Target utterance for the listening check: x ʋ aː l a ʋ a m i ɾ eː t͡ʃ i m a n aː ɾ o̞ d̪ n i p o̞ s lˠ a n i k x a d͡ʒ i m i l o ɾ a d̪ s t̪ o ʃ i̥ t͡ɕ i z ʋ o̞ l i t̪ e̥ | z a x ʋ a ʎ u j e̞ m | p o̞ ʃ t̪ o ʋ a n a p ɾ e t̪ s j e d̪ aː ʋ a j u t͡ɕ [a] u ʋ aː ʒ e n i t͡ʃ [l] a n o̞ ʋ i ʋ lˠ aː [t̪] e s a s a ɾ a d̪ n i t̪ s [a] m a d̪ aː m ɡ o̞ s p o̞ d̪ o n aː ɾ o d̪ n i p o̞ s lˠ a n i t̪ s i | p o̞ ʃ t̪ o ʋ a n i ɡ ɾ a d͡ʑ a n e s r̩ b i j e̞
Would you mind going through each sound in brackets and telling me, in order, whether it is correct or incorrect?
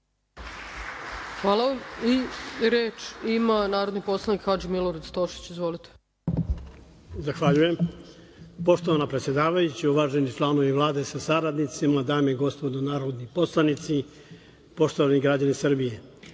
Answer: incorrect: i, correct, incorrect: d̪, incorrect: i

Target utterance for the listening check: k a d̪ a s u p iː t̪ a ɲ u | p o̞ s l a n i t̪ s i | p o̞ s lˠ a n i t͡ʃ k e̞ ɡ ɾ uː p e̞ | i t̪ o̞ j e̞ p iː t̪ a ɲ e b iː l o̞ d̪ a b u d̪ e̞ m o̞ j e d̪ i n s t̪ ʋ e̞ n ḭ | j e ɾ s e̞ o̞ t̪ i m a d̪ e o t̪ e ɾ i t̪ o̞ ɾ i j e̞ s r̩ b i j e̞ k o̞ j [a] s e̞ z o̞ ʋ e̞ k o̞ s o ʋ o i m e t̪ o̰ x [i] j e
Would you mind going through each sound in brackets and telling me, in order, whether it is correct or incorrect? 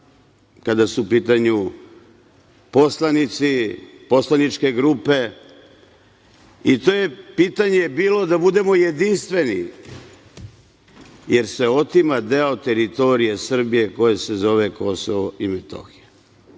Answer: incorrect: e, correct

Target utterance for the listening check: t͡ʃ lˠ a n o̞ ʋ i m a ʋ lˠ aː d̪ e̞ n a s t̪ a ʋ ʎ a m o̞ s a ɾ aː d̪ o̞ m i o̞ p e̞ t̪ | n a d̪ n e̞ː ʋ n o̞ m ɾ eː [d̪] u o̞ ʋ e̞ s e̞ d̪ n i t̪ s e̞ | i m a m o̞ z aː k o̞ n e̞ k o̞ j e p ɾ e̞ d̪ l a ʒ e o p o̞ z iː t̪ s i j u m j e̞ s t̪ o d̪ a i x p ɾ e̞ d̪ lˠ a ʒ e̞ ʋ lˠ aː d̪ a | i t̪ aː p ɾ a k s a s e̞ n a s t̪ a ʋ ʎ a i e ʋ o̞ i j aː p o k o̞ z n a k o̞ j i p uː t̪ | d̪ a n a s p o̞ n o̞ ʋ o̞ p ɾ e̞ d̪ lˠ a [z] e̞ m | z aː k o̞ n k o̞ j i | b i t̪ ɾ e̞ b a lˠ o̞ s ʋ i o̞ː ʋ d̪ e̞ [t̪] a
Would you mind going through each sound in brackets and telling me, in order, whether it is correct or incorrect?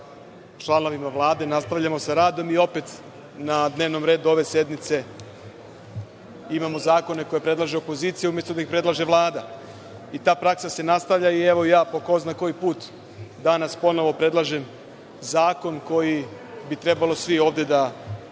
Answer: correct, incorrect: ʒ, incorrect: d̪

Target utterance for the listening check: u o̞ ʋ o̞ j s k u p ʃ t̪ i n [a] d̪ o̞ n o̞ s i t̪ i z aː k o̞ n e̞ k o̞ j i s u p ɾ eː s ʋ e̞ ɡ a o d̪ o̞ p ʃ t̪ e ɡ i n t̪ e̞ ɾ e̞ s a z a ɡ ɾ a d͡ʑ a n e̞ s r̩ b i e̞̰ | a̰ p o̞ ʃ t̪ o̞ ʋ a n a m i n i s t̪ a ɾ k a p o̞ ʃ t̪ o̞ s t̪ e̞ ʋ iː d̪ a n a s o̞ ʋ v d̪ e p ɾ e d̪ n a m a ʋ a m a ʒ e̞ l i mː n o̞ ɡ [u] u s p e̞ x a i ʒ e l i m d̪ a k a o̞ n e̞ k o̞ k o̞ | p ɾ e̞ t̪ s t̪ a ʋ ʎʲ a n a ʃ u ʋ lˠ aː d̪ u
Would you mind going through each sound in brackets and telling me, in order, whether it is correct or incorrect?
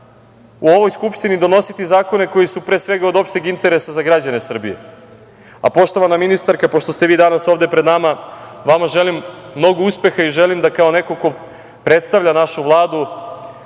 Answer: incorrect: i, incorrect: o

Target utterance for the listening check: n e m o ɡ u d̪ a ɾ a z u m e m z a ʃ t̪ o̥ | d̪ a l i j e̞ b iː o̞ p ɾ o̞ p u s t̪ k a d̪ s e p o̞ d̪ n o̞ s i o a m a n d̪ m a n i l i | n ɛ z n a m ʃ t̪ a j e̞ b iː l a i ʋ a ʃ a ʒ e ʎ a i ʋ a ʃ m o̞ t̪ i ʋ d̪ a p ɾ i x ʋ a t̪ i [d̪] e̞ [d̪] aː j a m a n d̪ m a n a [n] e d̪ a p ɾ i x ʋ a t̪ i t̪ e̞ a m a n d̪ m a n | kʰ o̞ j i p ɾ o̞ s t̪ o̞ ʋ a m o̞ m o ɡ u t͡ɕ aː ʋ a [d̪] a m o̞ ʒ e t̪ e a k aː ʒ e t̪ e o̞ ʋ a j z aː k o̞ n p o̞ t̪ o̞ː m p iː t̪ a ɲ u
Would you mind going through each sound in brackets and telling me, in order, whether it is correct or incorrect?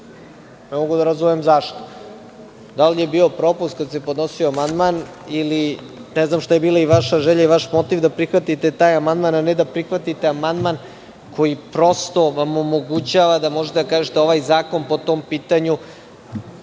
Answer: incorrect: t̪, incorrect: t̪, correct, correct

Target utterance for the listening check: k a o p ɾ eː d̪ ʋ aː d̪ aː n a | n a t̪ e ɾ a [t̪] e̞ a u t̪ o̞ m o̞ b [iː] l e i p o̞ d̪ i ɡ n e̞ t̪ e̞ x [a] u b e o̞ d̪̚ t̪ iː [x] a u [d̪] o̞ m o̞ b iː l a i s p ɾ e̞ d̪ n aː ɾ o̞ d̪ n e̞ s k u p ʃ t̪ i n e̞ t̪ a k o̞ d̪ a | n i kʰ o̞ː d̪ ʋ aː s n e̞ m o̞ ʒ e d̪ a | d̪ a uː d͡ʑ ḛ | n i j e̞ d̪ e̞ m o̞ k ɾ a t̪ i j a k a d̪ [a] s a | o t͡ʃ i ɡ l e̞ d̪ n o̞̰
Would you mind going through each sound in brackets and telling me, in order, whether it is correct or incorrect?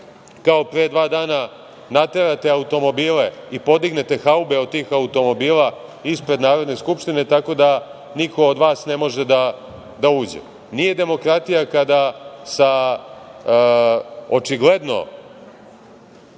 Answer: correct, correct, correct, correct, incorrect: t̪, correct

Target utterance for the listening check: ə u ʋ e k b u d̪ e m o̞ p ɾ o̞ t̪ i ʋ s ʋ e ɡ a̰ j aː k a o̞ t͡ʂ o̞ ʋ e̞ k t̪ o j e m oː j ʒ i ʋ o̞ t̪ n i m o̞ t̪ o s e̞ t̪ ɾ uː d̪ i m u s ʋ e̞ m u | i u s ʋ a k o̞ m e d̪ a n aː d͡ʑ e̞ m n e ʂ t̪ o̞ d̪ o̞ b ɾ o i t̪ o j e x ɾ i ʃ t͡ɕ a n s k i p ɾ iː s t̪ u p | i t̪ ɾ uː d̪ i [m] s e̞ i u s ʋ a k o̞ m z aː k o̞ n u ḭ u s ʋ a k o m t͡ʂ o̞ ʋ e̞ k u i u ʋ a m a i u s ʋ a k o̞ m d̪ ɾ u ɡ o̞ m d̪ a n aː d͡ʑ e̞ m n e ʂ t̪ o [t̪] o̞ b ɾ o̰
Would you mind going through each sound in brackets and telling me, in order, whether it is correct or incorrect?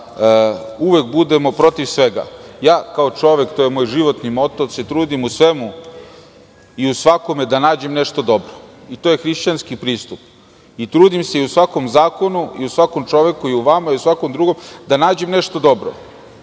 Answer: correct, incorrect: d̪

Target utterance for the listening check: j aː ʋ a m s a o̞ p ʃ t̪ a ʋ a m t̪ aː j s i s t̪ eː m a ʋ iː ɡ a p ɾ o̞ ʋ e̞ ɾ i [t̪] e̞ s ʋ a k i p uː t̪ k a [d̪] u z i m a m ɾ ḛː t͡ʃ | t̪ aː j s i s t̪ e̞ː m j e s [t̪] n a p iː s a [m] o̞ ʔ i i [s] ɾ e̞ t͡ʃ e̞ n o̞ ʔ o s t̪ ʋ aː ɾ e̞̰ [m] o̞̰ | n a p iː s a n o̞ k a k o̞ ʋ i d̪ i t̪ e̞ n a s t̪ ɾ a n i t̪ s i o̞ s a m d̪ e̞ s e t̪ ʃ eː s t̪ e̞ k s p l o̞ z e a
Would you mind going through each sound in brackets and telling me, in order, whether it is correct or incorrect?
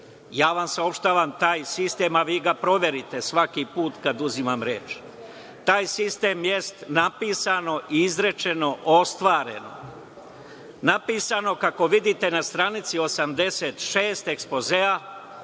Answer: correct, correct, correct, incorrect: n, incorrect: z, incorrect: n

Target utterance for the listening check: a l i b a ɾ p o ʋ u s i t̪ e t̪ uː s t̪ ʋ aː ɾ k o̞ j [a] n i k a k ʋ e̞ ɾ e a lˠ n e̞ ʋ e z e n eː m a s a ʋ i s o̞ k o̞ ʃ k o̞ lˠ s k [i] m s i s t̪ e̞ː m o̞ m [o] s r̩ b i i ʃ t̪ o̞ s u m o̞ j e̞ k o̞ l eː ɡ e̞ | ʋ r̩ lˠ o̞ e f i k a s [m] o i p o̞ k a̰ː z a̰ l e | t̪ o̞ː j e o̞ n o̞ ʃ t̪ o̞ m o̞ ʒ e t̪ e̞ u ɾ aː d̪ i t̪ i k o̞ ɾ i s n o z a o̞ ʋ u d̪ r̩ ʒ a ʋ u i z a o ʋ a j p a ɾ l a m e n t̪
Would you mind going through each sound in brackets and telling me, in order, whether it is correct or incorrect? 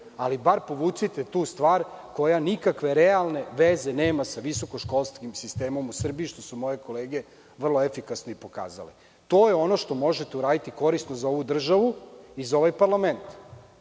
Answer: correct, correct, incorrect: u, incorrect: n

